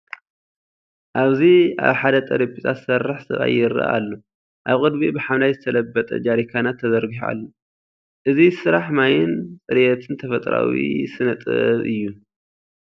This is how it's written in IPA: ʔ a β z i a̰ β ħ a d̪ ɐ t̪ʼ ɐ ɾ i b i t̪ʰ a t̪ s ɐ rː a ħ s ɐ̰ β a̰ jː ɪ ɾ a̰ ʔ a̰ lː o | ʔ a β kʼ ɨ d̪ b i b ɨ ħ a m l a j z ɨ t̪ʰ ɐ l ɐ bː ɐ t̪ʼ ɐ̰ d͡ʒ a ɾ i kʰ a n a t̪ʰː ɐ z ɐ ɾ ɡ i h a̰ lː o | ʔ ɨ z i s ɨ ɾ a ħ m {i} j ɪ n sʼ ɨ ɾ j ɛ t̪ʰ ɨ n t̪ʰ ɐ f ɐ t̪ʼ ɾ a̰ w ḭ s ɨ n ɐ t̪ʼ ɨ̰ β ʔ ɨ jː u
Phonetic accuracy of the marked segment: incorrect: a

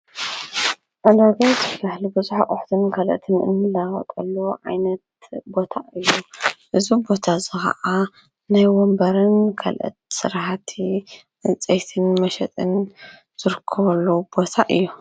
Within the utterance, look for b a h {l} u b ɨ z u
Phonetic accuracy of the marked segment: correct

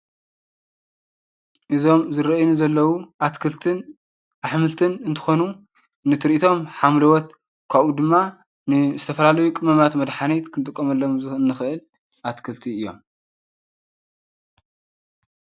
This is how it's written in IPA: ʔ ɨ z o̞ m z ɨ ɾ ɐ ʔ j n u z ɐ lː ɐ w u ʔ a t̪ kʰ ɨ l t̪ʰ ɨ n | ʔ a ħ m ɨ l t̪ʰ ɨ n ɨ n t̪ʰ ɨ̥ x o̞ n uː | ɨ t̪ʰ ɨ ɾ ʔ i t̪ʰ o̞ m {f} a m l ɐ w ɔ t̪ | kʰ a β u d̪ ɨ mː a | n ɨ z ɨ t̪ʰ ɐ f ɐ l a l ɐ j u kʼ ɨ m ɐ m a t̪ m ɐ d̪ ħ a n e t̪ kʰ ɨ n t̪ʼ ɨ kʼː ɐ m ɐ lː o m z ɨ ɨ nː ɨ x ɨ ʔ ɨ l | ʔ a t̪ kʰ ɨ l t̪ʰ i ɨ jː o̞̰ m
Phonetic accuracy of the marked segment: incorrect: ħ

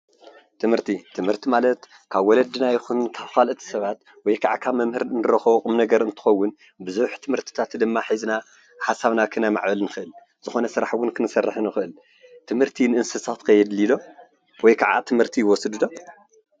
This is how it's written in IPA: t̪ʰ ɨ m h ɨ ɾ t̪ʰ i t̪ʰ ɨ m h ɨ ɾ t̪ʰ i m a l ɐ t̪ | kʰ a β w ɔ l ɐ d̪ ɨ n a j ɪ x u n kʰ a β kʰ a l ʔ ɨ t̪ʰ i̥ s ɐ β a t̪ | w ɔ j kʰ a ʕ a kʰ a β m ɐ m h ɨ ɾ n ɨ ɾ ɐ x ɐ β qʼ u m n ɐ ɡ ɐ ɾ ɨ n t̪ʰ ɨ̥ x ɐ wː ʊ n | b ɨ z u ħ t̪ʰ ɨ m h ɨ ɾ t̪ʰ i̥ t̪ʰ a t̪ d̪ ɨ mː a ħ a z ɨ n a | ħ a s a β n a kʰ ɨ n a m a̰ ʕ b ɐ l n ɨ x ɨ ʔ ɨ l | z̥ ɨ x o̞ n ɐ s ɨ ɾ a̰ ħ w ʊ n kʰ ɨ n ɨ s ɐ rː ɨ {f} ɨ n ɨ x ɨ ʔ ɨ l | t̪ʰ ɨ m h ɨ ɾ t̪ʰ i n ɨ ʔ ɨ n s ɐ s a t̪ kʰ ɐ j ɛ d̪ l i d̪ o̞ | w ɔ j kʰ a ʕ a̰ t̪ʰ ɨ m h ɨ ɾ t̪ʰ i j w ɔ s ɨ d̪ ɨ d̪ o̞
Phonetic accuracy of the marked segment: incorrect: ħ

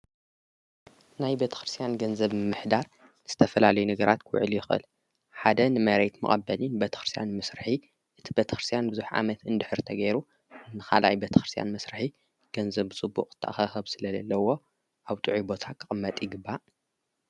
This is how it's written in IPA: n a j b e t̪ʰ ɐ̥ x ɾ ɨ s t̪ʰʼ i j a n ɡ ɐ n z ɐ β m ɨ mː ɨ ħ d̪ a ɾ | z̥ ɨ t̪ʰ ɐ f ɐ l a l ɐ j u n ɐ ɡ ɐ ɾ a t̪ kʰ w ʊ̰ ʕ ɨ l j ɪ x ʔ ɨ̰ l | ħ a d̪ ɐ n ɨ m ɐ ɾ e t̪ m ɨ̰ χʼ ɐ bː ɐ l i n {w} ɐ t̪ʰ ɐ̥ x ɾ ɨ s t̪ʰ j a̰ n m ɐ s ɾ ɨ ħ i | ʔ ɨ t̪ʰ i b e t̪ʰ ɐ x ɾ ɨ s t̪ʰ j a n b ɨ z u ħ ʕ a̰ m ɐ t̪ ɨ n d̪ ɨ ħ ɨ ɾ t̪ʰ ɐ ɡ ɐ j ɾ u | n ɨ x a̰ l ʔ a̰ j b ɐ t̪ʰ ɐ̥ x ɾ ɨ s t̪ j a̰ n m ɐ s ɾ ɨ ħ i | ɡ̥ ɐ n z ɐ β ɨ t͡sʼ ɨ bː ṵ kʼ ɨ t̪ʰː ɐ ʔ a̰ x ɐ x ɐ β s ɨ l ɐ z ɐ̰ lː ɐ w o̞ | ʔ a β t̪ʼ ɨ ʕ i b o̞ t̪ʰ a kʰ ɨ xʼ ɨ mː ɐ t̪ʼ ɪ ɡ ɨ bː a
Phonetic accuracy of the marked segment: incorrect: b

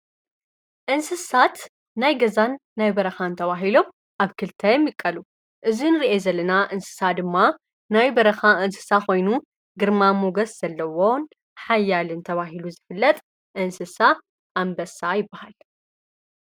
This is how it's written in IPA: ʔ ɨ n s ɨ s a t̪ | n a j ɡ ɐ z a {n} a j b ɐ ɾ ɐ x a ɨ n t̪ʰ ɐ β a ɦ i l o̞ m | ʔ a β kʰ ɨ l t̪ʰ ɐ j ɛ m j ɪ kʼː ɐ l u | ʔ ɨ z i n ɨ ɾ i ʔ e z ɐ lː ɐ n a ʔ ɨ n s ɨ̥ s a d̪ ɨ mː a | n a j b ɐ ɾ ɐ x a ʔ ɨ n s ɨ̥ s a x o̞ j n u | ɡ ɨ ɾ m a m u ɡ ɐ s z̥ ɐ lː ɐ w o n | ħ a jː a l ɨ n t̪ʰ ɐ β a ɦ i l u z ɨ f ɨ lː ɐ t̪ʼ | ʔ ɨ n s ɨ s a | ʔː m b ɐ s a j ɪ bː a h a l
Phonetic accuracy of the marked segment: incorrect: nː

